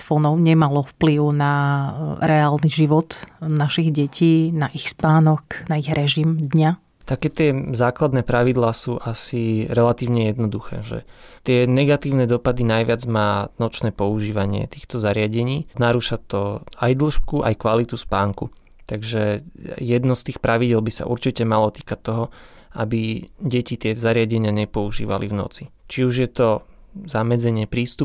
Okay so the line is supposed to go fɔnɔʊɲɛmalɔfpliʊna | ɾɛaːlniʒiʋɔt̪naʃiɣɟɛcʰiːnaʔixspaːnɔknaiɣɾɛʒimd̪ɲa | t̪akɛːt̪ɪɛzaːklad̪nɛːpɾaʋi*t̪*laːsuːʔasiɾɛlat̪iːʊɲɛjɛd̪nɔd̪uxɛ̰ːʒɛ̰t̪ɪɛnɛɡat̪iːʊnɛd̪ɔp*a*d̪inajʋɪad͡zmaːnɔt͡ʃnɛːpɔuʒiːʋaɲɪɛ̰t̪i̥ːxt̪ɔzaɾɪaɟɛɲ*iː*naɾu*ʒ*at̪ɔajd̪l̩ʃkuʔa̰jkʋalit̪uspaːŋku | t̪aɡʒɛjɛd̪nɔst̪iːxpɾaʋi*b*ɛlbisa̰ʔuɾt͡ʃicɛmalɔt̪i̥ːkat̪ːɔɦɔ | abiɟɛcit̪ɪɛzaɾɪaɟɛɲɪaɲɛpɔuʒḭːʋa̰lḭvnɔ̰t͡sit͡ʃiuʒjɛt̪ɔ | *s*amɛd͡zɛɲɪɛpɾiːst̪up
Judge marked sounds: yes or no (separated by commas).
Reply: no, yes, yes, no, no, no